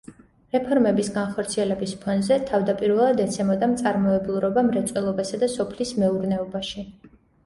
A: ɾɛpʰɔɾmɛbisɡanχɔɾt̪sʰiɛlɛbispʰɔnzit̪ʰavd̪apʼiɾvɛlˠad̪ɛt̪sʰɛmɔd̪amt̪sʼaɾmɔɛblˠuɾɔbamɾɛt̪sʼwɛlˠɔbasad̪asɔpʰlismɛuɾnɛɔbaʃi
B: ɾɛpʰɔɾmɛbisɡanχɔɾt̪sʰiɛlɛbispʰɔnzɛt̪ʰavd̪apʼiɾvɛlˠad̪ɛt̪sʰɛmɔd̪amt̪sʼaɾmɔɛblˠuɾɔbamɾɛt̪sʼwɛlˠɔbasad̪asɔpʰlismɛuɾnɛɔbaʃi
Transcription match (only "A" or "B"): B